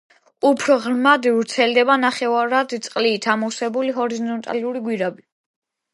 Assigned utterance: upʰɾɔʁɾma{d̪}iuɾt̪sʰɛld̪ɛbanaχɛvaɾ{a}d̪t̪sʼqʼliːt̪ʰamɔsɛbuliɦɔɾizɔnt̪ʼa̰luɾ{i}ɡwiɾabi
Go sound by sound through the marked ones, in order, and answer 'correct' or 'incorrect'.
correct, correct, correct

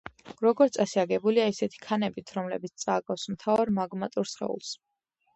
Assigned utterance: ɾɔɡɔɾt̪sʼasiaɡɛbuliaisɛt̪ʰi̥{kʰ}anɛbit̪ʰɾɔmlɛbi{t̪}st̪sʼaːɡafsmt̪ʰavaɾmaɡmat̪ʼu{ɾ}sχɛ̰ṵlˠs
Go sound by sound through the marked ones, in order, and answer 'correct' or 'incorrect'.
correct, correct, correct

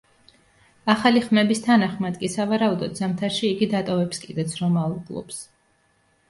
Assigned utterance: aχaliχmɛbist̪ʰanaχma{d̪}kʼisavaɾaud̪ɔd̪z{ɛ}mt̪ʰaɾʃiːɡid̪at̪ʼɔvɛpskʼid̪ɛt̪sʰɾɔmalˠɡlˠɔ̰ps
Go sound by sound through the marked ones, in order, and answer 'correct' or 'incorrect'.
correct, incorrect: a

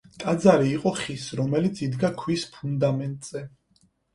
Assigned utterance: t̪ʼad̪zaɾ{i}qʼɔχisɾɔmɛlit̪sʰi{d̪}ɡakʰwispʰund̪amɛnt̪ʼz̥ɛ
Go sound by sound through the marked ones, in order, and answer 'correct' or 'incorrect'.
incorrect: iː, correct

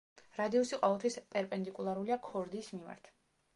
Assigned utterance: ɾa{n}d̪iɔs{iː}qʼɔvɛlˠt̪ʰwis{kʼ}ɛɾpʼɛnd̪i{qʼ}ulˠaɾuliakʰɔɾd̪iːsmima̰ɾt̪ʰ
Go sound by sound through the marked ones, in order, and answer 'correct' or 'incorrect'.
incorrect: none, incorrect: i, incorrect: pʼ, incorrect: kʼ

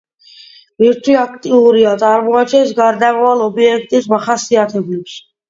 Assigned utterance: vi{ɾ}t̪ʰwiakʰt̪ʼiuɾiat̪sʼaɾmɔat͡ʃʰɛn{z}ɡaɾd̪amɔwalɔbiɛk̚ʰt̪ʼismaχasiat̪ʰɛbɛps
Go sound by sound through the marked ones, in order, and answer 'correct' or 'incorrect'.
correct, incorrect: s

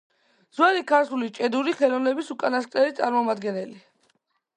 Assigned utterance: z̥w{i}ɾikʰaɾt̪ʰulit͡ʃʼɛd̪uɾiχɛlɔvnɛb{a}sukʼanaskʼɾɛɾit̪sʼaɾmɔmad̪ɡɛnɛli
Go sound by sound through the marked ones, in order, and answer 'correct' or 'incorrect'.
incorrect: a, incorrect: i

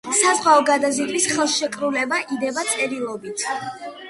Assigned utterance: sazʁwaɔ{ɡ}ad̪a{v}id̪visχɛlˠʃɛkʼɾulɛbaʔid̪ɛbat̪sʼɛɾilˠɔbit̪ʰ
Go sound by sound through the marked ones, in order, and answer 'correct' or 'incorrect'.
correct, incorrect: z

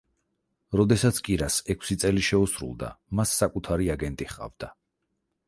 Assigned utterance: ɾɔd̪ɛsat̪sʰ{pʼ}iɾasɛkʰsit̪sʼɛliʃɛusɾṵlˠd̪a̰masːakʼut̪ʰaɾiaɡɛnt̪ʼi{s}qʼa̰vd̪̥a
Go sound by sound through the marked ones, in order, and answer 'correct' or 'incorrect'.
incorrect: kʼ, incorrect: χ

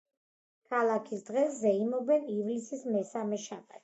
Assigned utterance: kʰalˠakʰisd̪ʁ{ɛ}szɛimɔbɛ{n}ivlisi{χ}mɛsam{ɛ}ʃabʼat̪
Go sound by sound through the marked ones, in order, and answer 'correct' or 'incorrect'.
correct, correct, incorrect: s, correct

